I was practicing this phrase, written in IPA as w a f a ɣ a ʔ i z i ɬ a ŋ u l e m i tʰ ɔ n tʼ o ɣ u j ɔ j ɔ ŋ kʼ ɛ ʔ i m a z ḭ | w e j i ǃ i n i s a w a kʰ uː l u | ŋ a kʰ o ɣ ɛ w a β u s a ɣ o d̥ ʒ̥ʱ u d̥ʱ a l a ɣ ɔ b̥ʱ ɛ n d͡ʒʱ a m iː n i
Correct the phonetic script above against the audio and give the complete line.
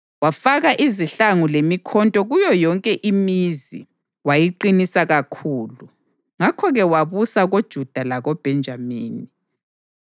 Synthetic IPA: w a f a ɣ a ʔ i z i ɬ a ŋ u l e m i kʰ ɔ n tʼ ɔ ɣ u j ɔ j ɔ ŋ kʼ ɛ ʔ i m i z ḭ | w a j i ǃ i n i s a ɣ a kʰ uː l u | ŋ a kʰ ɔ ɣ ɛ w a β u s a ɣ o d̥ ʒ̥ʱ u d̥ʱ a l a ɣ ɔ b̥ʱ ɛ n d͡ʒʱ a m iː n i